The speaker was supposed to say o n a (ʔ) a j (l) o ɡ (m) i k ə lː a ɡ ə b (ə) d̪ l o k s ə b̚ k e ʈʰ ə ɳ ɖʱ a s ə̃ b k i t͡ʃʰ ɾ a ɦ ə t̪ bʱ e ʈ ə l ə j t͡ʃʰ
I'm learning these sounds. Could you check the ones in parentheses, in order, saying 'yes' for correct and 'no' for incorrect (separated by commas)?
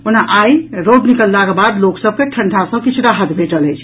yes, no, no, no